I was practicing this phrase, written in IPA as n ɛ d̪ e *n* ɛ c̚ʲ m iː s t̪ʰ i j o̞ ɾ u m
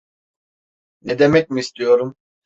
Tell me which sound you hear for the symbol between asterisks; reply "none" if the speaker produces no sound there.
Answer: m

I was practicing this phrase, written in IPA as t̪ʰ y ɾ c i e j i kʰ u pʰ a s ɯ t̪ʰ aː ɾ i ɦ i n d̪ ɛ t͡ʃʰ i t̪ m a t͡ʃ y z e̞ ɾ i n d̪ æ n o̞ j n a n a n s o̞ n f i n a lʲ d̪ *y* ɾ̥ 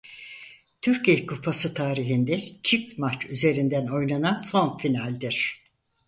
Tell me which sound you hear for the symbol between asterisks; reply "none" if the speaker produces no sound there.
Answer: i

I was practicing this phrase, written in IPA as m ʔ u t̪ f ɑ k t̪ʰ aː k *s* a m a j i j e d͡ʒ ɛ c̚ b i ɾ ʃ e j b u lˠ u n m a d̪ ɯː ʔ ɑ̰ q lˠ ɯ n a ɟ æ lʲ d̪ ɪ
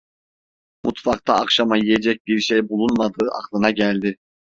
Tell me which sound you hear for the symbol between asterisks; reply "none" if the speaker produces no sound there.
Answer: ʃ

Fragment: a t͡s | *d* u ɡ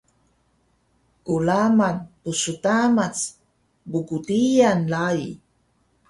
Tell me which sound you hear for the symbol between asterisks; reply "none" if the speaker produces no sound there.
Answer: b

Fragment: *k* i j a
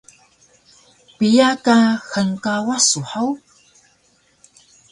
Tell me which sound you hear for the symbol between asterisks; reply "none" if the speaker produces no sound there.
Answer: p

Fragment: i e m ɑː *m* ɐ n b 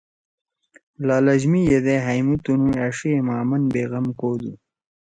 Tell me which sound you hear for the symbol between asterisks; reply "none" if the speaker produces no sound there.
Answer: m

